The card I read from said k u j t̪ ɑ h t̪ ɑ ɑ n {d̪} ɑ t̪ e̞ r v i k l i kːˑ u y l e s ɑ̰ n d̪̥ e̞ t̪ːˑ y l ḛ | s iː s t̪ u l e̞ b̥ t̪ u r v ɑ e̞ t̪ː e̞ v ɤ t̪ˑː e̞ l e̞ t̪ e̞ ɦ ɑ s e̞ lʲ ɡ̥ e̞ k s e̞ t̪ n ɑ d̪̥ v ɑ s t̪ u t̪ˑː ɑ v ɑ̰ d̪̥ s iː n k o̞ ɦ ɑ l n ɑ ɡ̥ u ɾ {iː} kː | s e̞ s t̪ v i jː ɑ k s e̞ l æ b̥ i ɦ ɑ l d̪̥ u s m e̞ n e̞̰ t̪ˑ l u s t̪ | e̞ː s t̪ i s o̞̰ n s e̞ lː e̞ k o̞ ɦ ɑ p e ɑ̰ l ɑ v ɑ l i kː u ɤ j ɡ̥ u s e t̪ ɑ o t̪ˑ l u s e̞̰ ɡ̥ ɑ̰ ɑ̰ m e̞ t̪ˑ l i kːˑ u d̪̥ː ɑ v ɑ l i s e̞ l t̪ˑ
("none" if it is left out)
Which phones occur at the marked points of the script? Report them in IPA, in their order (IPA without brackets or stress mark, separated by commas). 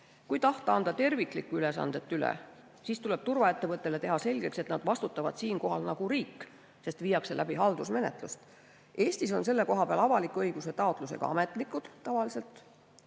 d̪, iː